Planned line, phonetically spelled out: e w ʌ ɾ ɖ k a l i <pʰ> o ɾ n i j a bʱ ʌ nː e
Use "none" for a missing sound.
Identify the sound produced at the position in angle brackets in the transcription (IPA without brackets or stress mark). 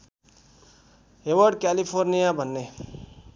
pʰ